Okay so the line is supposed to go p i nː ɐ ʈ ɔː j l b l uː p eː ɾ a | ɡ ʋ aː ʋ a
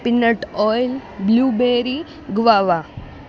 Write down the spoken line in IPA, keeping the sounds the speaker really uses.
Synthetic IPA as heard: p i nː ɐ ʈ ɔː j l b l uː b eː ɾ i | ɡ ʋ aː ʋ a